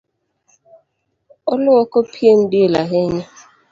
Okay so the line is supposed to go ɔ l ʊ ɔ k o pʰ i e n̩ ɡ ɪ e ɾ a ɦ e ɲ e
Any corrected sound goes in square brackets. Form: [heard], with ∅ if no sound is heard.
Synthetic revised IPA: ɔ l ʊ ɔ k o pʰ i e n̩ [d] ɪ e [l] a ɦ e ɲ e